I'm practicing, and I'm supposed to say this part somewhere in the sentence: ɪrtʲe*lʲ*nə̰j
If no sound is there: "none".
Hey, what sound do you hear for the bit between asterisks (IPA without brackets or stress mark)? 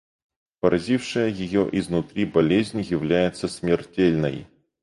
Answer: lʲ